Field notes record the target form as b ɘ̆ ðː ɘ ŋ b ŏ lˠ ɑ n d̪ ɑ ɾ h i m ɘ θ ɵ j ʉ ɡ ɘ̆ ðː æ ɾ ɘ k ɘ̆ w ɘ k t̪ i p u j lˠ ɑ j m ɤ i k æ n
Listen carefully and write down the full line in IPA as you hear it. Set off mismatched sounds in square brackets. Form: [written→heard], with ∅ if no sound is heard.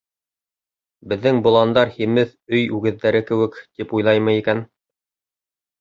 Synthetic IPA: b ɘ̆ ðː ɘ ŋ b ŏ lˠ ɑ n d̪ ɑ ɾ h i m ɘ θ ɵ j ʉ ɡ ɘ̆ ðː æ ɾ ɘ k ɘ̆ w ɘ k t̪ i p u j lˠ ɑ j m ɤ i k æ n